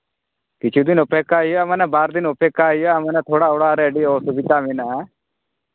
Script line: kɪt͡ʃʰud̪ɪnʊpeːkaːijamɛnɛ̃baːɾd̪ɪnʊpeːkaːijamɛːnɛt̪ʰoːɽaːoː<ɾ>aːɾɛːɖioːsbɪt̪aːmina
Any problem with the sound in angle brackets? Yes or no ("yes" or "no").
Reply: yes